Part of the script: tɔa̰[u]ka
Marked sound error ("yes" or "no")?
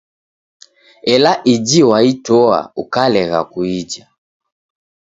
no